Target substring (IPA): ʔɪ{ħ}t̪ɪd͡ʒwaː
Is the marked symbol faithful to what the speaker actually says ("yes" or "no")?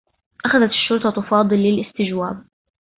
no